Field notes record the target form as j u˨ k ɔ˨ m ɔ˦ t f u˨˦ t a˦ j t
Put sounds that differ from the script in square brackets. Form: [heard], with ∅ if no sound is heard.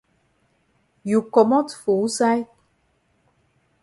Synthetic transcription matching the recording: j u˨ k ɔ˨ m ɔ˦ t f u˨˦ [s] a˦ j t